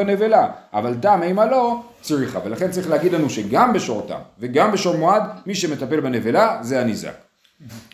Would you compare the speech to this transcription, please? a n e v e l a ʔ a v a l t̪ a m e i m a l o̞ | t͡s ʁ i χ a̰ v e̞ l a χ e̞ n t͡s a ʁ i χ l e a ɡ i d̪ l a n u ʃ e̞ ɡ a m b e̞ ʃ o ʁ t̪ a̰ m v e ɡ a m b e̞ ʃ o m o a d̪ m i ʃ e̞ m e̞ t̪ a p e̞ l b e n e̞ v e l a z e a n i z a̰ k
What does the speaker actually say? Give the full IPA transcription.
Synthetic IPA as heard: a n e v e l a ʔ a v a l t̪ a m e i m a l o̞ | t͡s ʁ i χ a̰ v e̞ l a χ e̞ n t͡s a ʁ i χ l e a ɡ i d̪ l a n u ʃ e̞ ɡ a m b e̞ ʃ o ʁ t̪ a̰ m v e ɡ a m b e̞ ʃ o m o a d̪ m i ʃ e̞ m e̞ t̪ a p e̞ l b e n e̞ v e l a z e a n i z a̰ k